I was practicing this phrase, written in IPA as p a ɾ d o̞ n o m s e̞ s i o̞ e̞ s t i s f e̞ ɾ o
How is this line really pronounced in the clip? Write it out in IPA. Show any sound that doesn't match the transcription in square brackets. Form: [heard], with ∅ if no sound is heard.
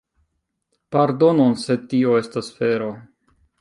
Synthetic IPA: p a ɾ d o̞ n o [n] s e̞ [t] i o̞ e̞ s t [a] s f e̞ ɾ o